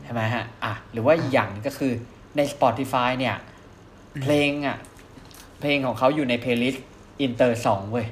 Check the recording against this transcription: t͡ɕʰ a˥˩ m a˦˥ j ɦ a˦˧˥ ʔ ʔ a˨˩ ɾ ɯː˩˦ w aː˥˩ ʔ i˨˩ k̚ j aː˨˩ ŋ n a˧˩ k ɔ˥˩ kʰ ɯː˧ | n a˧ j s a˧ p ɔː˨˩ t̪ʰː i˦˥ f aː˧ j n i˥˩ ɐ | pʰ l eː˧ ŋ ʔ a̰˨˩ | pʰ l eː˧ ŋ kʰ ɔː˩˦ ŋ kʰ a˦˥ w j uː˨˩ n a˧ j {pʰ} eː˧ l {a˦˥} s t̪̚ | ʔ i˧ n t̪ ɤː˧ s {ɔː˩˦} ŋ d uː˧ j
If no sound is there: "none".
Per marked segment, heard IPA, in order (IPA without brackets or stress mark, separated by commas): pʰ, i˦˥, ɔː˩˦